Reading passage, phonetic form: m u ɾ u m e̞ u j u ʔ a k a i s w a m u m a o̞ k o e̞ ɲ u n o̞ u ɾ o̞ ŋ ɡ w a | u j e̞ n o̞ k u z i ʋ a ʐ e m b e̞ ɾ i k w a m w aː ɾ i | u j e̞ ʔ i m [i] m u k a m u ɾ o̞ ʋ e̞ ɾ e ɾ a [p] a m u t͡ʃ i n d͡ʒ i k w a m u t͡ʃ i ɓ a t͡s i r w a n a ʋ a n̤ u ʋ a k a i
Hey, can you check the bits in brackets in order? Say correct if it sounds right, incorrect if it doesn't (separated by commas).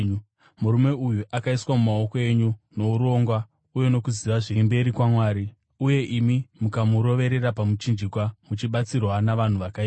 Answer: correct, correct